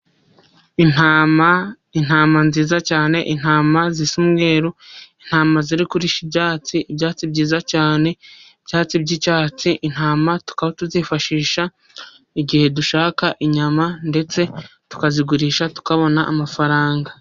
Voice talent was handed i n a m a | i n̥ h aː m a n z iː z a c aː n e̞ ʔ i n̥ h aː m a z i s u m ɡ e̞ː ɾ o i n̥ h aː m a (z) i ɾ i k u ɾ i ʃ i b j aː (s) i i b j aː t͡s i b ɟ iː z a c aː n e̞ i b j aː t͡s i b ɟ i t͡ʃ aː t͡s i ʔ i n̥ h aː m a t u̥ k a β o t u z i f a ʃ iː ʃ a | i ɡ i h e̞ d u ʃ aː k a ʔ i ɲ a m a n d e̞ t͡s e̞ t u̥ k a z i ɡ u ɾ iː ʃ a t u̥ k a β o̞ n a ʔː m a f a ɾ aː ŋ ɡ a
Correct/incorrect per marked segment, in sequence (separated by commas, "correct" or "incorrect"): correct, incorrect